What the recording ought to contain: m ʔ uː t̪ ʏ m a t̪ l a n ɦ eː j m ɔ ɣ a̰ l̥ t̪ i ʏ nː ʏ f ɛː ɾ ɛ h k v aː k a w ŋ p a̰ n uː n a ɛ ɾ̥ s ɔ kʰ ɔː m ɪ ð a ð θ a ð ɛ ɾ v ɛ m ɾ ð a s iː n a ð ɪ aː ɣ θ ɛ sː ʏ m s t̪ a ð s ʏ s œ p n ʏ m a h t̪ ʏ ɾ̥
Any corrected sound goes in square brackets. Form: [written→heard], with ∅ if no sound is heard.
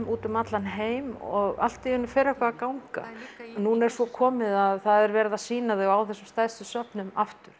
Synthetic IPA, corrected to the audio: m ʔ uː t̪ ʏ m a t̪ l a n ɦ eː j m ɔ ɣ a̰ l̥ t̪ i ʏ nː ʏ f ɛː ɾ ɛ h k v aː k a w ŋ [p→k] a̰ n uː n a ɛ ɾ̥ s ɔ kʰ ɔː m ɪ ð a ð θ a ð ɛ ɾ v ɛ [m→∅] ɾ ð a s iː n a ð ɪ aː [ɣ→w] θ ɛ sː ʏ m s t̪ a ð s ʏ s œ p n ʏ m a [h→f] t̪ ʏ ɾ̥

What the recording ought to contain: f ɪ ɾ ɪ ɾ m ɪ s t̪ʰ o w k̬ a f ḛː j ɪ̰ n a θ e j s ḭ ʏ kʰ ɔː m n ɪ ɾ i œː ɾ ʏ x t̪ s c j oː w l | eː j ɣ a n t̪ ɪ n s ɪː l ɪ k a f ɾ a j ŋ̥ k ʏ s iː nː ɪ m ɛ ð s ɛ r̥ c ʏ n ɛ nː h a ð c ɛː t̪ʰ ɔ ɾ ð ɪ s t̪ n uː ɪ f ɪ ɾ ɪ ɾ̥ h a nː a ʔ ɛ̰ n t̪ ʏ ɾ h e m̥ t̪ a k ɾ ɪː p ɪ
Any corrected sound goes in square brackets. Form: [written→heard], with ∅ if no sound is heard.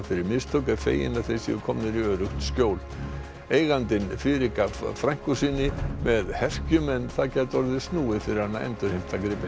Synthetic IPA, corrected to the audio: f ɪ ɾ ɪ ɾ m ɪ s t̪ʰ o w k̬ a f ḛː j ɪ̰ n a θ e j s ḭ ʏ kʰ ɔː m n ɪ ɾ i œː ɾ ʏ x t̪ s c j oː w l | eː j ɣ a n t̪ ɪ n [s→f] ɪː [l→ɾ] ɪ k a f ɾ a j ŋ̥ k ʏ s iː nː ɪ m ɛ ð [s→h] ɛ r̥ c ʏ [n→m] ɛ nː [h→θ] a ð c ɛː [t̪ʰ→t̪] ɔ ɾ ð ɪ s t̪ n uː ɪ f ɪ ɾ ɪ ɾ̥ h a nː a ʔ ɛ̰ n t̪ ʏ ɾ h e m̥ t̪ a k ɾ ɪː p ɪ

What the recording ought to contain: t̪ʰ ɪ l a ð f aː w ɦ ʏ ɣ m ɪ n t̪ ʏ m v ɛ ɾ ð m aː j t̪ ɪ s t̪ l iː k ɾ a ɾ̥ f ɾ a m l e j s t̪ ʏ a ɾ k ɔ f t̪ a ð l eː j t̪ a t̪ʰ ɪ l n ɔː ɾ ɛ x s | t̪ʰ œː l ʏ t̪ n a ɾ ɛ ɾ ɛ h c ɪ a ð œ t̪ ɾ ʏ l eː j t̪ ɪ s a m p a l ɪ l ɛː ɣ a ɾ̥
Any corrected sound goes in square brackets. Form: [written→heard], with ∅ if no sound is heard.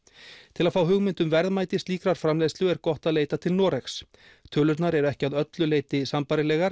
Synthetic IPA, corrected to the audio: t̪ʰ ɪ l a ð f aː w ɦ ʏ ɣ m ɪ n t̪ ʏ m v ɛ ɾ ð m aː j t̪ ɪ s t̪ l iː k ɾ a ɾ̥ f ɾ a m l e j s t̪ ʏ [a→ɛ] ɾ k ɔ [f→h] t̪ a ð l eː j t̪ a t̪ʰ ɪ l n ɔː ɾ ɛ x s | t̪ʰ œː l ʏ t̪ n a ɾ ɛ ɾ ɛ h c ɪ a ð œ t̪ [ɾ→l] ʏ l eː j t̪ ɪ s a m p a [l→ɾ] ɪ l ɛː ɣ a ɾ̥

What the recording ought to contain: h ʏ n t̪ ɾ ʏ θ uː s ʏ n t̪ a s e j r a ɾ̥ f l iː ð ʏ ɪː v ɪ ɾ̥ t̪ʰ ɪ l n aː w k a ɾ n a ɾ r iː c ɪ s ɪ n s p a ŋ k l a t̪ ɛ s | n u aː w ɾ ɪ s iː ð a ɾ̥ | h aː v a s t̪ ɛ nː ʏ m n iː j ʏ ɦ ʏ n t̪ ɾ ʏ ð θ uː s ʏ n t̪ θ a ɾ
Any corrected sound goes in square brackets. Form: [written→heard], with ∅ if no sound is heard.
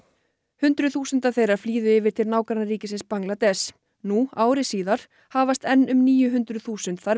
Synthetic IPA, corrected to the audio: h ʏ n t̪ ɾ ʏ θ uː s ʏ n t̪ a [s→θ] e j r a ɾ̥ f l iː ð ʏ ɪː v ɪ ɾ̥ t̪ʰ ɪ l n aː w k a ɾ n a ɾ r iː c ɪ s ɪ n s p a ŋ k l a t̪ ɛ s | n u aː w ɾ ɪ s iː ð a ɾ̥ | h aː v a s t̪ ɛ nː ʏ m n iː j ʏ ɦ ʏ n t̪ ɾ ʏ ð θ uː s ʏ n t̪ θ a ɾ

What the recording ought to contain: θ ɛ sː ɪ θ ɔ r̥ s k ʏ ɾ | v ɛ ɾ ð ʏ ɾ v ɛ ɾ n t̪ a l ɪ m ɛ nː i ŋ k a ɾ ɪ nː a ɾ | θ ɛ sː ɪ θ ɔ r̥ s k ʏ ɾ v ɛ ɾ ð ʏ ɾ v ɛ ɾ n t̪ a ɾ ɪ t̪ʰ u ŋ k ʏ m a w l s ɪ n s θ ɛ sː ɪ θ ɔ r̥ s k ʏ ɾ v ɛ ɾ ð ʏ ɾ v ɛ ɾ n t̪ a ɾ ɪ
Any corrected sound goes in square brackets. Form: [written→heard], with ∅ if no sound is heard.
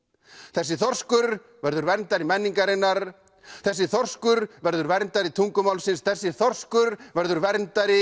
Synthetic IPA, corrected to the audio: θ ɛ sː ɪ θ ɔ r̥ s k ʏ ɾ | v ɛ ɾ ð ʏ ɾ v ɛ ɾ n t̪ a [l→ɾ] ɪ m ɛ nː i ŋ k a ɾ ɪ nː a ɾ | θ ɛ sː ɪ θ ɔ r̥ s k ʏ ɾ v ɛ ɾ ð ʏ ɾ v ɛ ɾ n t̪ a ɾ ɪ t̪ʰ u ŋ k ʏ m a w l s ɪ n s θ ɛ sː ɪ θ ɔ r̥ s k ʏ ɾ v ɛ ɾ ð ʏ ɾ v ɛ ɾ n t̪ a ɾ ɪ

